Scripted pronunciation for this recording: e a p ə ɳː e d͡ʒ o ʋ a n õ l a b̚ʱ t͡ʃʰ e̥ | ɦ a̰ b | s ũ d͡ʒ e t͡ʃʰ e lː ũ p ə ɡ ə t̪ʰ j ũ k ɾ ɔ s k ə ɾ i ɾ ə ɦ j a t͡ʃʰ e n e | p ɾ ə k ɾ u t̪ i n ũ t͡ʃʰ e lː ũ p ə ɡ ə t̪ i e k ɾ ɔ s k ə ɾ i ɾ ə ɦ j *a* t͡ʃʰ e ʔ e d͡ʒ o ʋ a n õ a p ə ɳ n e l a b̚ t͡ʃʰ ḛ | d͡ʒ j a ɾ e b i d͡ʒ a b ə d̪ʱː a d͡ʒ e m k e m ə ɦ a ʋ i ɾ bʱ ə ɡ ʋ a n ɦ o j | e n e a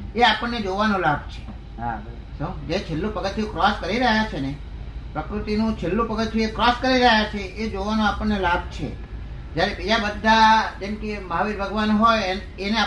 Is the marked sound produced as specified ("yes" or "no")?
yes